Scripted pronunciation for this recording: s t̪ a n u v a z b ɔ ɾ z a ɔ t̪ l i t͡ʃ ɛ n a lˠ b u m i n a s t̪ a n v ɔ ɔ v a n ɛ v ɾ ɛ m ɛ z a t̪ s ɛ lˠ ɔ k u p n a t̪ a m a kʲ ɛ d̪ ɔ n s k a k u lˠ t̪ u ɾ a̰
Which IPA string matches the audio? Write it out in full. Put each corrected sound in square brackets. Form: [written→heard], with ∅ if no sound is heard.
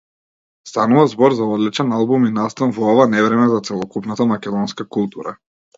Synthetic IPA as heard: s t̪ a n u v a z b ɔ ɾ z a ɔ [t̪→d̪] l i t͡ʃ ɛ n a lˠ b u m i n a s t̪ a n v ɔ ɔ v a n ɛ v ɾ ɛ m ɛ z a t̪ s ɛ lˠ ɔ k u p n a t̪ a m a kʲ ɛ d̪ ɔ n s k a k u lˠ t̪ u ɾ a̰